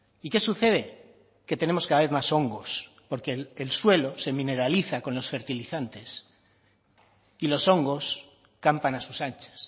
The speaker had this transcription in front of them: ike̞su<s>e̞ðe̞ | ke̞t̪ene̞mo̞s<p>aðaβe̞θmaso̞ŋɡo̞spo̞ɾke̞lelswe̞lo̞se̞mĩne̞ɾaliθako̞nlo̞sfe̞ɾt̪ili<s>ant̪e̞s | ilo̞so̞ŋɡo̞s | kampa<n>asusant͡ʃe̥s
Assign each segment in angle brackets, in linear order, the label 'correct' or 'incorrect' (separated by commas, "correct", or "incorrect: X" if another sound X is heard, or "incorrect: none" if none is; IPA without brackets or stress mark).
incorrect: θ, incorrect: k, incorrect: θ, correct